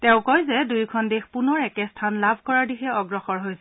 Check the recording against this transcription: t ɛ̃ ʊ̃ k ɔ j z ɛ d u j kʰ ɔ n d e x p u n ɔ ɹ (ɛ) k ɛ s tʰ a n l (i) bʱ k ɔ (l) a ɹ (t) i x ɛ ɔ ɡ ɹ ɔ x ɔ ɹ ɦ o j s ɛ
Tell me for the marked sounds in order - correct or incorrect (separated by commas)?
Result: correct, incorrect, incorrect, incorrect